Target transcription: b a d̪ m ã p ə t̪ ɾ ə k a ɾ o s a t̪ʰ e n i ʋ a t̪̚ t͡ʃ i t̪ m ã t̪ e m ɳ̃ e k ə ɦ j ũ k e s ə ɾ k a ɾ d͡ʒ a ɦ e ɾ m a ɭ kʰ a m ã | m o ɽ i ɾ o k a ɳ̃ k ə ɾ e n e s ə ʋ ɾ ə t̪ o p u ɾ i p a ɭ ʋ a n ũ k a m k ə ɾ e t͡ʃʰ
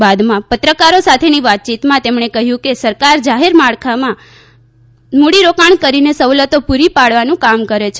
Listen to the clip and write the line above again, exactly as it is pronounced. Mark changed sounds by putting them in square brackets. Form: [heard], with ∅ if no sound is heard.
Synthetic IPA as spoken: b a d̪ m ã p ə t̪ ɾ ə k a ɾ o s a t̪ʰ e n i ʋ a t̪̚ t͡ʃ i t̪ m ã t̪ e m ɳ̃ e k ə ɦ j ũ k e s ə ɾ k a ɾ d͡ʒ a ɦ e ɾ m a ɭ kʰ a m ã | m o ɽ i ɾ o k a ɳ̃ k ə ɾ [i] n e s ə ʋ [l] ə t̪ o p u ɾ i p a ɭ ʋ a n ũ k a m k ə ɾ e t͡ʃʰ